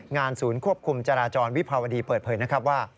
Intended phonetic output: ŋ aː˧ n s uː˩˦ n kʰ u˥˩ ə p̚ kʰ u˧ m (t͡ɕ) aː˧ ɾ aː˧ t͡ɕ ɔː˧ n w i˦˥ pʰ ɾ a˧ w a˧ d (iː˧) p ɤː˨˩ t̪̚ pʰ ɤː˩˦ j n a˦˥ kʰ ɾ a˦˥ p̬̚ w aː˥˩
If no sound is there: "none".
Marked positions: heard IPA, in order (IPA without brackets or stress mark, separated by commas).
t͡ɕ, iː˧